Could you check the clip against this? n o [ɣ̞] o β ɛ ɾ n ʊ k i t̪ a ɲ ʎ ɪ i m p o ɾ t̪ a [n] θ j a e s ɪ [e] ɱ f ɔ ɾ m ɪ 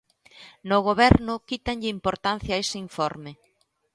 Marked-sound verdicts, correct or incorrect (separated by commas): correct, correct, incorrect